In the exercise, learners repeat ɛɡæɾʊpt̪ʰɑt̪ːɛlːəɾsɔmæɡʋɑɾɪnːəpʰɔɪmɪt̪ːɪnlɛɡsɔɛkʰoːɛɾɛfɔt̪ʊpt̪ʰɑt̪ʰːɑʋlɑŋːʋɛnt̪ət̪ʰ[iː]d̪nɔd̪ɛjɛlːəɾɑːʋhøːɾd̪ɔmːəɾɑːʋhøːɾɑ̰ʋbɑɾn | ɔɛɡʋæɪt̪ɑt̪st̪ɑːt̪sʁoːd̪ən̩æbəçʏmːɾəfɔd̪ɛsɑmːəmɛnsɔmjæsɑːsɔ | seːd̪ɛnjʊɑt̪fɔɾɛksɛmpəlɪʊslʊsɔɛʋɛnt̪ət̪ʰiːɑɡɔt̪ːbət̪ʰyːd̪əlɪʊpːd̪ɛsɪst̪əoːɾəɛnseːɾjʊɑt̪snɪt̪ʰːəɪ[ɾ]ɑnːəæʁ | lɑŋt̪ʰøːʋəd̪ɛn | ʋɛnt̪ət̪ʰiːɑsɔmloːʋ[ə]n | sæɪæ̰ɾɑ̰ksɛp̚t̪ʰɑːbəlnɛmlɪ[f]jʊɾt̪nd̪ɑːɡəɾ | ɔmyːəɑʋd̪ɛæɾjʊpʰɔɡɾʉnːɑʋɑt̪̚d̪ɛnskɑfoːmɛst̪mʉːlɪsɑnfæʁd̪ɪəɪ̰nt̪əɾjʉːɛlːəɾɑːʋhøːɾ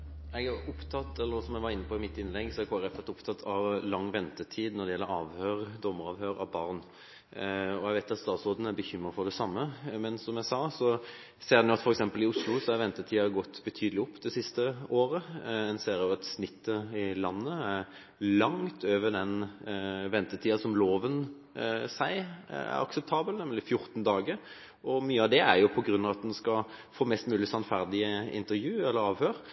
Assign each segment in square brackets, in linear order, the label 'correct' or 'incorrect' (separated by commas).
correct, incorrect, correct, correct